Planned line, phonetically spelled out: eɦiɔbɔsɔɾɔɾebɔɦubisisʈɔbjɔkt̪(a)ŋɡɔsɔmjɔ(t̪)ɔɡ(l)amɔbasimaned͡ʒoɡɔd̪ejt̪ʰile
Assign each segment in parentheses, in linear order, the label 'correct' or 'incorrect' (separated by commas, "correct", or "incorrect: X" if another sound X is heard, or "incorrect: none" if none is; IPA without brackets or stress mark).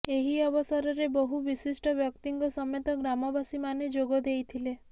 incorrect: i, correct, incorrect: ɾ